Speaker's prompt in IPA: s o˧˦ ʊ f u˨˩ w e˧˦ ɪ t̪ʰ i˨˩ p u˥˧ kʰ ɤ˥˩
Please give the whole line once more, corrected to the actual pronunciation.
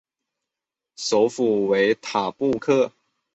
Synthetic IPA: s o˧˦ ʊ f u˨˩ w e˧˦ ɪ t̪ʰ a˨˩ p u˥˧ kʰ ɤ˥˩